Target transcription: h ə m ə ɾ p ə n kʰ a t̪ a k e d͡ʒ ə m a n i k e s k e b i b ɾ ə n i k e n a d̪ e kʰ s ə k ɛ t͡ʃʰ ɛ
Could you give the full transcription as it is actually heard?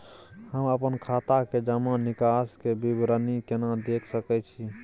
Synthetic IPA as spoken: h ə m ə p ə n kʰ a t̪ a k e d͡ʒ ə m a n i k a s k e b i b ɾ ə n i k e n a d̪ e kʰ s ə k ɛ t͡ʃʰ i